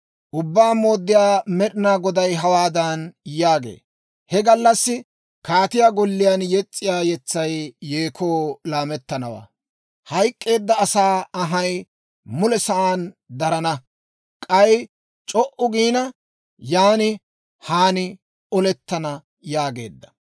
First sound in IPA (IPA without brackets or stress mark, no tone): ʔ